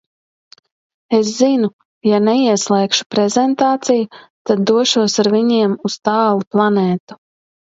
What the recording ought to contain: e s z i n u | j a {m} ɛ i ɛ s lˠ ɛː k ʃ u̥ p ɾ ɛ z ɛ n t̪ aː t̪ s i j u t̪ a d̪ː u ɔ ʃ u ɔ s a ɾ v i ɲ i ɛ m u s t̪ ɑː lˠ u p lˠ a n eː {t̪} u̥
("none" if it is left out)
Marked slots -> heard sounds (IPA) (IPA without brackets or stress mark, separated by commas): n, t̪